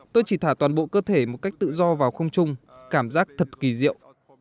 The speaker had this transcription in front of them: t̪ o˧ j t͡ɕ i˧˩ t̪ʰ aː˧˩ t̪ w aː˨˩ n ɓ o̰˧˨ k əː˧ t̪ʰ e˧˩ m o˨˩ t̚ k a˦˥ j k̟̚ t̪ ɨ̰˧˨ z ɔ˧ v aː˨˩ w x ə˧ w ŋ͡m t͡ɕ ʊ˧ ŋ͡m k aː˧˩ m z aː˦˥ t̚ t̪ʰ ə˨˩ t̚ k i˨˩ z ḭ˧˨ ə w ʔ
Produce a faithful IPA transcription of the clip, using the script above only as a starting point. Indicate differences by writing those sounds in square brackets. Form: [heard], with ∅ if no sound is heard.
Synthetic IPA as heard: t̪ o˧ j t͡ɕ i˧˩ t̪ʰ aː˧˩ t̪ w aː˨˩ n ɓ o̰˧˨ k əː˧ t̪ʰ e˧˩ m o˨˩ t̚ k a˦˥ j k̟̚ t̪ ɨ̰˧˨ z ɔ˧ v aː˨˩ w x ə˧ w ŋ͡m t͡ɕ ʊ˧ ŋ͡m k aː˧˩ m z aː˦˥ [k̚] t̪ʰ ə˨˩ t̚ k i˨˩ z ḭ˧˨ ə w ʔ